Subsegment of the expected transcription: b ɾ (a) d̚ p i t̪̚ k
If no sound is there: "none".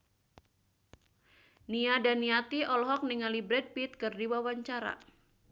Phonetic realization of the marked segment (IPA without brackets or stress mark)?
ɛ